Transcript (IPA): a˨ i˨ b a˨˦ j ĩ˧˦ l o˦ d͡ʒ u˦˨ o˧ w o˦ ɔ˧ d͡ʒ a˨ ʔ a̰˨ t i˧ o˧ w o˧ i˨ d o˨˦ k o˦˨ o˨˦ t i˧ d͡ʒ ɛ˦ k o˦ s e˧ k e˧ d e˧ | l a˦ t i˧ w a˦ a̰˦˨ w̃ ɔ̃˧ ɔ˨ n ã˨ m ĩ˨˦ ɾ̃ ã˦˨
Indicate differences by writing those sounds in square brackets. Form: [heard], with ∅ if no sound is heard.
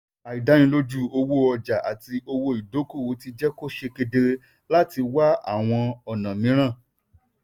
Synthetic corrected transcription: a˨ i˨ [d] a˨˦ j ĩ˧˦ l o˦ d͡ʒ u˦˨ o˧ w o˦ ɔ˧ d͡ʒ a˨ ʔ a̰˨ t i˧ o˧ w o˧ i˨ d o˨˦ k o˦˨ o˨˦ t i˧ d͡ʒ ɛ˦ k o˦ [ʃ] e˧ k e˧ d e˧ | l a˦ t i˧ w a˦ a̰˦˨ w̃ ɔ̃˧ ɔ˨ n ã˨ m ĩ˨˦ ɾ̃ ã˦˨

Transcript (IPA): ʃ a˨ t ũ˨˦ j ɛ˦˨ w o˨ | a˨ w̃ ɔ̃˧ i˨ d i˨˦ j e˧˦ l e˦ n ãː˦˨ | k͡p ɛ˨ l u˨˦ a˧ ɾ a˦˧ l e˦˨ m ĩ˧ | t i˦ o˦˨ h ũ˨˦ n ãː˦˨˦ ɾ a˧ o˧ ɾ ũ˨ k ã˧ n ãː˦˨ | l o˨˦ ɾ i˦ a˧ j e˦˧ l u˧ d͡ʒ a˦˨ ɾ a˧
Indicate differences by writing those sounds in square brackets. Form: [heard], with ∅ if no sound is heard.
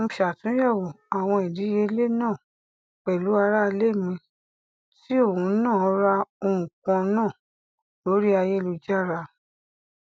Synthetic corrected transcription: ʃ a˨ t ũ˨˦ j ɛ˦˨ w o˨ | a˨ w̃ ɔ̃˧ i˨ d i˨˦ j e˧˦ l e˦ n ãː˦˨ | k͡p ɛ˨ l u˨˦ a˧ ɾ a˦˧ l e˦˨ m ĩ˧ | t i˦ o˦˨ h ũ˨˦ n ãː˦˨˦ ɾ a˧ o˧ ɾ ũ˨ k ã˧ n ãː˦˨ | l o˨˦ ɾ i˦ a˧ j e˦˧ l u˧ d͡ʒ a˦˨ ɾ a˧

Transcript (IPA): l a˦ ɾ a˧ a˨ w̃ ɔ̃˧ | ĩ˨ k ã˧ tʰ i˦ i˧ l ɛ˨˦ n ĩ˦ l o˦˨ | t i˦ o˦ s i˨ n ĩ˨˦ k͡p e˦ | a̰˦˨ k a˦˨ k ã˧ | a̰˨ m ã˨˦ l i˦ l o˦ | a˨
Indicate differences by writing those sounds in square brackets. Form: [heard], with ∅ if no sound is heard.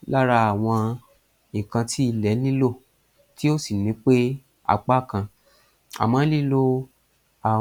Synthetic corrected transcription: l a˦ ɾ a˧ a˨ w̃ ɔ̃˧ | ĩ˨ k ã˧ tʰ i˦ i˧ l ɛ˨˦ n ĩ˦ l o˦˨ | t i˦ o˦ s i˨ n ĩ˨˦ k͡p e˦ | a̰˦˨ [k͡p] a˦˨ k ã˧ | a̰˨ m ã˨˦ l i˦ l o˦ | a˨

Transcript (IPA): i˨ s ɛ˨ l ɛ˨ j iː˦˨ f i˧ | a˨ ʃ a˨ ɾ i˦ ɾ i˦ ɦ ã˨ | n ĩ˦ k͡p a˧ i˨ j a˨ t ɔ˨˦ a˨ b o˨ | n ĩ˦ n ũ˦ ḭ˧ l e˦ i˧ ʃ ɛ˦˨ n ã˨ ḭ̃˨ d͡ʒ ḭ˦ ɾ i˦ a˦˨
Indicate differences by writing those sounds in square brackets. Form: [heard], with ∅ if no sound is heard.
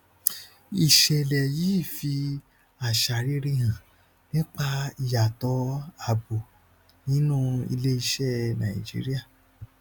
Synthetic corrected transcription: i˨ [ʃ] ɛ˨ l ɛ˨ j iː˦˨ f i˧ | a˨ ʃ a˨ ɾ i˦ ɾ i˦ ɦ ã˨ | n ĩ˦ k͡p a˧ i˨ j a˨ t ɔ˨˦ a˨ b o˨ | n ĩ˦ n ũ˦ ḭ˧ l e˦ i˧ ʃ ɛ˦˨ n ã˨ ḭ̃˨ d͡ʒ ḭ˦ ɾ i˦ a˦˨

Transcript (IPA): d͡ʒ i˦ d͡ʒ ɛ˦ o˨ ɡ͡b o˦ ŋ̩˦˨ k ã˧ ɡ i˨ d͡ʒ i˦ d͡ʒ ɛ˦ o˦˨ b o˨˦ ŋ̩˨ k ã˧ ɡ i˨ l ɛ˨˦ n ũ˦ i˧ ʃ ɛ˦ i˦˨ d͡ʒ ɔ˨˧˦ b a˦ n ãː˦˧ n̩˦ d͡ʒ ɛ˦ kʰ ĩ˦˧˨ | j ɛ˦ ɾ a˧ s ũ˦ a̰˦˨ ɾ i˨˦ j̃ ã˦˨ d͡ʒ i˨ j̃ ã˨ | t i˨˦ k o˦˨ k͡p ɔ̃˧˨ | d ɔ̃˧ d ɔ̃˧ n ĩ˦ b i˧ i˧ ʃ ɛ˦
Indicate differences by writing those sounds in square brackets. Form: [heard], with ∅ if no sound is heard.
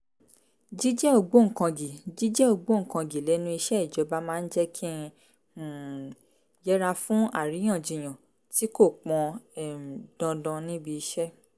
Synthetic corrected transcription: d͡ʒ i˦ d͡ʒ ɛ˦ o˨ ɡ͡b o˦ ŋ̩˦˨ k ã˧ ɡ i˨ d͡ʒ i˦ d͡ʒ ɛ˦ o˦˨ [ɡ͡b] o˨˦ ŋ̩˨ k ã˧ ɡ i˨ l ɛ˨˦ n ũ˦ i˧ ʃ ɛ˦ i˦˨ d͡ʒ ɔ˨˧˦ b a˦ [m] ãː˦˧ n̩˦ d͡ʒ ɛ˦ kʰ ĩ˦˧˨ | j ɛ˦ ɾ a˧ [f] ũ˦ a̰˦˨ ɾ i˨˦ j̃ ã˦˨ d͡ʒ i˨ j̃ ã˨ | t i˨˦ k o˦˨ k͡p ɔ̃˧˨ | d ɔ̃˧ d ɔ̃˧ n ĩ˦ b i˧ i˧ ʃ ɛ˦

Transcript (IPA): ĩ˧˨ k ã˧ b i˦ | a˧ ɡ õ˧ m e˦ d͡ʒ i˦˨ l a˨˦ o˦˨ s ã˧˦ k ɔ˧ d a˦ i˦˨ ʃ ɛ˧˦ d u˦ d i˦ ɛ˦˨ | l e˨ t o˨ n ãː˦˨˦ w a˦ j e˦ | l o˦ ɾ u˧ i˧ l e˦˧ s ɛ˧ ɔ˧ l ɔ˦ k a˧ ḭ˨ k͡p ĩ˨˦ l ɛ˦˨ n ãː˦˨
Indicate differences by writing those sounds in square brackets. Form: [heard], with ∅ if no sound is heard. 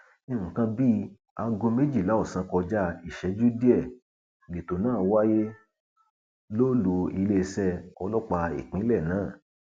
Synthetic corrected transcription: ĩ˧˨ k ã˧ b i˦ | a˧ ɡ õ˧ m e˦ d͡ʒ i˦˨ l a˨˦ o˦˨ s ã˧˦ k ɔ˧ [d͡ʒ] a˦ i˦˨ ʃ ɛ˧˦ [d͡ʒ] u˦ d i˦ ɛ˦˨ | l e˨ t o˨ n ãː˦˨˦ w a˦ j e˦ | l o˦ [l] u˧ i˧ l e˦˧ s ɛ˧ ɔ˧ l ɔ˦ [k͡p] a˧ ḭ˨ k͡p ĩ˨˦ l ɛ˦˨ n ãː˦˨

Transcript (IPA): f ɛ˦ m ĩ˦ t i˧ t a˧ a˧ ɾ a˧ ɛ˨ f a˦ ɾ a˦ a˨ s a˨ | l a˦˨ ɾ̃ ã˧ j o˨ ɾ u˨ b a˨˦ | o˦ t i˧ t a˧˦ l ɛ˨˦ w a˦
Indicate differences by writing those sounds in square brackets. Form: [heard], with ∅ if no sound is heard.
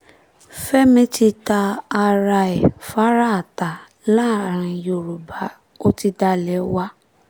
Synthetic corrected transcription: f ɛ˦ m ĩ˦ t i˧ t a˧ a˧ ɾ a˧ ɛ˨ f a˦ ɾ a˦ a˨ [t] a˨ | l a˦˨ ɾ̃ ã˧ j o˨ ɾ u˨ b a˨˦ | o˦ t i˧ [d] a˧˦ l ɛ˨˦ w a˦

